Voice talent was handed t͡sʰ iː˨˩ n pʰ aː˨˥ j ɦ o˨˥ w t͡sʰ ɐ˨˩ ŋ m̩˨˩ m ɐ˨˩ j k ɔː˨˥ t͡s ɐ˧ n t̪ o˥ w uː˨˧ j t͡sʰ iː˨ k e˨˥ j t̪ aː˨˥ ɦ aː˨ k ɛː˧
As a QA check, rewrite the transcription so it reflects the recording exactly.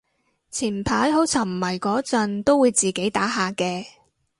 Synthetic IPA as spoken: t͡sʰ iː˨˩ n pʰ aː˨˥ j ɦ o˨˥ w t͡sʰ ɐ˨˩ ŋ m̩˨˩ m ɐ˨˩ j k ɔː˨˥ t͡s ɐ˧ n t̪ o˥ w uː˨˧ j t͡s iː˨ k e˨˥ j t̪ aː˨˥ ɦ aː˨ k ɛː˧